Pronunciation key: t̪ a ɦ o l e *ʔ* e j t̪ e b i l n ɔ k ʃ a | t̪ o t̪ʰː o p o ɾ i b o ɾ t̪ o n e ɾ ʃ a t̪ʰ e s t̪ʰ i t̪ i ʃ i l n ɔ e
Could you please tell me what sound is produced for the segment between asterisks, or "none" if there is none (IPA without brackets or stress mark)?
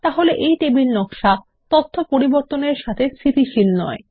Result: ʔ